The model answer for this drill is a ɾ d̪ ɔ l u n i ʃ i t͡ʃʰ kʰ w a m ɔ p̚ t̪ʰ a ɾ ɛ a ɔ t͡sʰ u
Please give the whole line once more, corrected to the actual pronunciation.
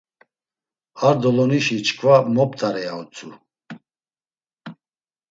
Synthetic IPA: a ɾ d̪ ɔ l ɔ n i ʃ i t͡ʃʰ kʰ v a m ɔ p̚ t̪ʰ a ɾ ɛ a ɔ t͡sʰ u